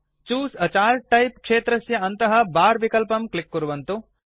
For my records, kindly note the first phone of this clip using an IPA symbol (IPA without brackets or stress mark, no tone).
t͡ʃ